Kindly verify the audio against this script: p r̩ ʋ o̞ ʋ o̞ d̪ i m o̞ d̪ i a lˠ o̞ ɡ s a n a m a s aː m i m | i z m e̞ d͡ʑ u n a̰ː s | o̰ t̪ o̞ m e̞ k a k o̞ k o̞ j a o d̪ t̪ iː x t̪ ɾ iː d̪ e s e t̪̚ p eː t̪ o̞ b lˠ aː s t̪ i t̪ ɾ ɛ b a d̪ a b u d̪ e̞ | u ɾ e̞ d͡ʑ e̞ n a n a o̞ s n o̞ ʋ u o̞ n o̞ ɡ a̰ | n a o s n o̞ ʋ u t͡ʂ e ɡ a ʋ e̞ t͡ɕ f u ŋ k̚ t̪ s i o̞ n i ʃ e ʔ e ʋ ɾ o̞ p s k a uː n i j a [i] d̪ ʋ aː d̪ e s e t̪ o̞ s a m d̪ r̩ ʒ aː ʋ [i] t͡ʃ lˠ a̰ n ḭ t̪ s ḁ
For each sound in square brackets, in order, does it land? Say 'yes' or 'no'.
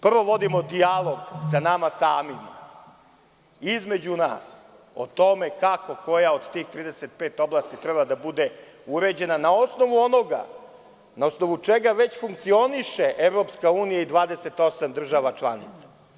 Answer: yes, no

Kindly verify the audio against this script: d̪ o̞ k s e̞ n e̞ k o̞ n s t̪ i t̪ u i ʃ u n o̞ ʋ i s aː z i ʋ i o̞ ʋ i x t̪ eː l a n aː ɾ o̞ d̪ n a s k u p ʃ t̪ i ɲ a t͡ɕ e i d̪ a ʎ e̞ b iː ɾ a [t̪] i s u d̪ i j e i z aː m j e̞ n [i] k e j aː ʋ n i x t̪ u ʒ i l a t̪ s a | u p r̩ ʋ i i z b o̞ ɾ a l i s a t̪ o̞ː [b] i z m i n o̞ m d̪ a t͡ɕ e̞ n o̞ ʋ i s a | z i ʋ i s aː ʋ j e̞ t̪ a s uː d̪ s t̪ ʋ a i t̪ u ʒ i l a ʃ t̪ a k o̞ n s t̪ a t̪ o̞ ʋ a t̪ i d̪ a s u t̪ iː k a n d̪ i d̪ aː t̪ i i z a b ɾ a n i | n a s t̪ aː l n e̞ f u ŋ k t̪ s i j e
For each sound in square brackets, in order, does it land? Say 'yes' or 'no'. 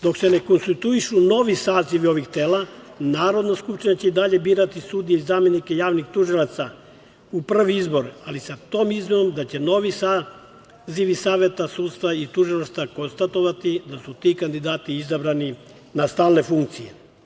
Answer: yes, yes, no

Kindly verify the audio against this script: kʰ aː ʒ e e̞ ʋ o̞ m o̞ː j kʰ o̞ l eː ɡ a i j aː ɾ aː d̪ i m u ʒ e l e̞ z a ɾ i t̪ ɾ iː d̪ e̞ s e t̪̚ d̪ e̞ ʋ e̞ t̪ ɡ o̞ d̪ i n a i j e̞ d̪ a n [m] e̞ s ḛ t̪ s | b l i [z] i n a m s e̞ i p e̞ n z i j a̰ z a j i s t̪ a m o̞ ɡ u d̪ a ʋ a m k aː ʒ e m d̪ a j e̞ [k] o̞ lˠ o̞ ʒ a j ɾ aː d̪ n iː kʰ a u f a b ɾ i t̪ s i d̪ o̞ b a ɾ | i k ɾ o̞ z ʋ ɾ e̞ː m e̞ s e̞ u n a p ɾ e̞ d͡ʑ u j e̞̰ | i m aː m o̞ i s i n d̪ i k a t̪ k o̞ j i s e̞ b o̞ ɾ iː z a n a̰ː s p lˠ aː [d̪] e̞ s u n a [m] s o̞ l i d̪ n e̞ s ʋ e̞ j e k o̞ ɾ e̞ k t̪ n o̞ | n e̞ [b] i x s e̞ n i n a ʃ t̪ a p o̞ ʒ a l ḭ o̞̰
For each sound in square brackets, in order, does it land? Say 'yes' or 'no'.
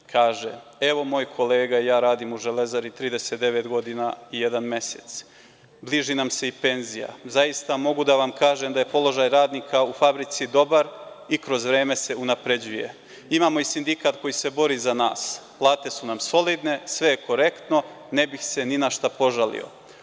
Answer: yes, no, no, no, yes, yes

